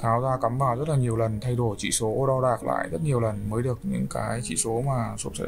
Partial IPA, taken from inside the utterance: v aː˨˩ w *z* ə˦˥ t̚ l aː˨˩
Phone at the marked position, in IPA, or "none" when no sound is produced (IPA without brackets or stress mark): z